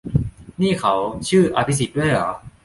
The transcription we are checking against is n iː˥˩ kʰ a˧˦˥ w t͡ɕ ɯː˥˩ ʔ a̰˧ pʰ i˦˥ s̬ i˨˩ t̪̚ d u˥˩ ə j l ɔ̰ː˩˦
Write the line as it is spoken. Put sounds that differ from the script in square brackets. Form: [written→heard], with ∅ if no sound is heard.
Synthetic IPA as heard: n iː˥˩ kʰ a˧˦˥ w [t͡ɕ→t͡ɕʰ] ɯː˥˩ ʔ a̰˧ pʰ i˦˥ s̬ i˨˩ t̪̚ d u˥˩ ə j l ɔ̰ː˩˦